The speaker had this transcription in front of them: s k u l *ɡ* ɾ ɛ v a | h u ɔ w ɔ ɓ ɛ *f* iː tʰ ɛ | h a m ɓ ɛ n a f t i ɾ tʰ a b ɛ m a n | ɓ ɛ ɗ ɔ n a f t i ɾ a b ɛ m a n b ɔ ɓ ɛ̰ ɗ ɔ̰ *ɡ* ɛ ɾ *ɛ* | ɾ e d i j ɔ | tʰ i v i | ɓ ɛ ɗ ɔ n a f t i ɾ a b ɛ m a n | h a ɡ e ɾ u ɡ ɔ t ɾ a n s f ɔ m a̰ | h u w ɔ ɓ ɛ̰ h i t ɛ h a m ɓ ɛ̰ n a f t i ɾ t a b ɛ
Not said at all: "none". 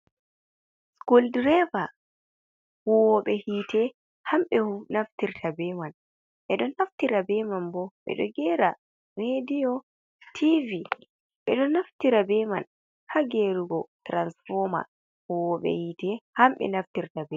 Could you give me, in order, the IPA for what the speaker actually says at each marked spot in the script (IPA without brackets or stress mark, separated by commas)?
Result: d, h, ɡ, a